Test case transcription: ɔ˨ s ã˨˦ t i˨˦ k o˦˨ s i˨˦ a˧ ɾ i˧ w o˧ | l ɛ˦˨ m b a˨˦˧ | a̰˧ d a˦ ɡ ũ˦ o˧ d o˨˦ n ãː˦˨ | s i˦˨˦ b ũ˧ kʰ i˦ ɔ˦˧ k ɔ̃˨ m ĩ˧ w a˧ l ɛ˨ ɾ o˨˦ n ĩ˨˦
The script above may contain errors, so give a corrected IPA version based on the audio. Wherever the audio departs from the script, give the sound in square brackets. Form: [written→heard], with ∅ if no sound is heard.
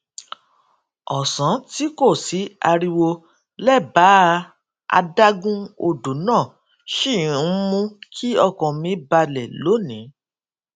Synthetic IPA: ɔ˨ s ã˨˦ t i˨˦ k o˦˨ s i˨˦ a˧ ɾ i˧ w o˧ | l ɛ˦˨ [m→∅] b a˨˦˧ | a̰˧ d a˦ ɡ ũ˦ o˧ d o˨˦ n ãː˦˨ | [s→ʃ] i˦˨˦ [b→m] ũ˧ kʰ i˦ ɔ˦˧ k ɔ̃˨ m ĩ˧ [w→b] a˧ l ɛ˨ [ɾ→l] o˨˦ n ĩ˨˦